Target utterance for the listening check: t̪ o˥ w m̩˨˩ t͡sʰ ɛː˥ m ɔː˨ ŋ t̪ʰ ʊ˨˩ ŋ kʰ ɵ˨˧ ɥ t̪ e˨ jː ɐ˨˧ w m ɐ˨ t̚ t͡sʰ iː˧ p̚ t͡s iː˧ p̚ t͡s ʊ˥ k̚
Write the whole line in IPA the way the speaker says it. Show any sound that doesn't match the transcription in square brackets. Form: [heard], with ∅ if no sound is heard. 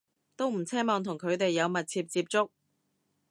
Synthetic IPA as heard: t̪ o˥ w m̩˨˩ t͡sʰ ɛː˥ m ɔː˨ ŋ t̪ʰ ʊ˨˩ ŋ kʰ ɵ˨˧ ɥ t̪ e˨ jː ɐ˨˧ w m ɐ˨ t̚ t͡sʰ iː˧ p̚ t͡s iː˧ p̚ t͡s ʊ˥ k̚